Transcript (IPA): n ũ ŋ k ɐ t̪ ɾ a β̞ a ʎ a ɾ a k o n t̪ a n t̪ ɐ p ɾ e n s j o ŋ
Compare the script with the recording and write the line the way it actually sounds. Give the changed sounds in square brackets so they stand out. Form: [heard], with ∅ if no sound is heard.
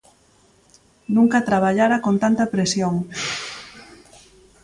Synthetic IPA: n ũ ŋ k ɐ t̪ ɾ a β̞ a ʎ a ɾ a k o n t̪ a n t̪ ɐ p ɾ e [∅] s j o ŋ